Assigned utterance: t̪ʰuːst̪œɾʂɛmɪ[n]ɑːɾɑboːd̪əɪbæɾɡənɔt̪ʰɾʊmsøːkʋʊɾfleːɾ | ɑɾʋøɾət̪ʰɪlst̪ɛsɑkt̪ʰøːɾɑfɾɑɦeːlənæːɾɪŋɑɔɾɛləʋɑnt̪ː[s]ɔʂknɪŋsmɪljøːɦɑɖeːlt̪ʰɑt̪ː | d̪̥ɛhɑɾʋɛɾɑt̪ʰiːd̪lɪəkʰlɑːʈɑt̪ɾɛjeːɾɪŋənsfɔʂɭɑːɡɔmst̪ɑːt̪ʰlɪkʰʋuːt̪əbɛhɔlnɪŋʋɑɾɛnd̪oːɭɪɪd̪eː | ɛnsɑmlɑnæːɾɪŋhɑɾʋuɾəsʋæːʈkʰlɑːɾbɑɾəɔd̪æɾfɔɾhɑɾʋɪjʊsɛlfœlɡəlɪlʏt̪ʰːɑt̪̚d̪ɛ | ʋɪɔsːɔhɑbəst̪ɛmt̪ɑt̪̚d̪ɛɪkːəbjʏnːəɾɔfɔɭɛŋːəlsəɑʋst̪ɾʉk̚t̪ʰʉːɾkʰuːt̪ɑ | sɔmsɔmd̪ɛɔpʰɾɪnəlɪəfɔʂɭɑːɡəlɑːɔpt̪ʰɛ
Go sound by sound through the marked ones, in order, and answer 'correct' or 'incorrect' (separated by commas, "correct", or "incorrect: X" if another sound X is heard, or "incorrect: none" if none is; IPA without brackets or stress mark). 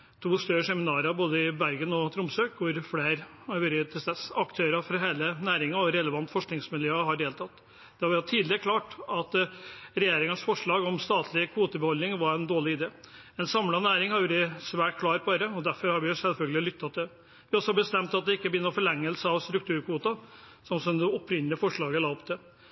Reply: correct, incorrect: f